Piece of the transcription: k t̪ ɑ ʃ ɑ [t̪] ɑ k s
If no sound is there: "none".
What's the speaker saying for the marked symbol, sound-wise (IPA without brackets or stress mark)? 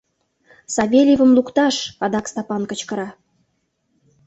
d̪